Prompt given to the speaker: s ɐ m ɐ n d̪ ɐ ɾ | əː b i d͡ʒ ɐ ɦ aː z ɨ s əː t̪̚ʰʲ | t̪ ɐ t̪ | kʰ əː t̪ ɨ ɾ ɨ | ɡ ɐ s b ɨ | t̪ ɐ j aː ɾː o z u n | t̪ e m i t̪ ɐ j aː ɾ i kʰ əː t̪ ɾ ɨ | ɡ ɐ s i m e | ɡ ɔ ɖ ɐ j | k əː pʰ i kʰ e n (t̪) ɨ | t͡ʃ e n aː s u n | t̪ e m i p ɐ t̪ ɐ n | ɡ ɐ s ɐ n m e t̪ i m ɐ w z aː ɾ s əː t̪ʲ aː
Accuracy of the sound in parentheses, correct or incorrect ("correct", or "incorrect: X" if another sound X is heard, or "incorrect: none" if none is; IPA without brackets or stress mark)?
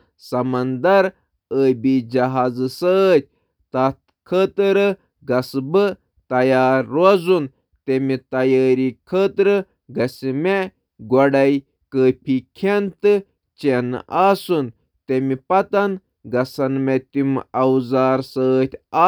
correct